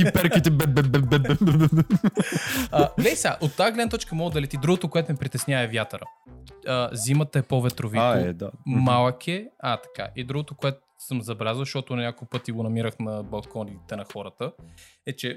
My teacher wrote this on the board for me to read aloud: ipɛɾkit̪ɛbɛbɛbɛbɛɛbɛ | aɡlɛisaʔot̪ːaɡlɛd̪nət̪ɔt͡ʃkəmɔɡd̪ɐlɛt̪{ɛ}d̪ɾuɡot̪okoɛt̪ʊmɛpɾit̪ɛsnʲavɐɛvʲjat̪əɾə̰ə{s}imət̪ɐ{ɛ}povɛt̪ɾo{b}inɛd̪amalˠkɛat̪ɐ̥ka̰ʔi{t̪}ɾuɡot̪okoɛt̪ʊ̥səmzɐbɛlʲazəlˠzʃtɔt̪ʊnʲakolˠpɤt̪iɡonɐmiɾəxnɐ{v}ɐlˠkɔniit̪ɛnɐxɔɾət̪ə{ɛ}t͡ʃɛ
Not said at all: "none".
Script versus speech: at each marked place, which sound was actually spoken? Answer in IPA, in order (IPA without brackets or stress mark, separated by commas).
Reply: i, z, ɛ, v, d̪, b, ɛ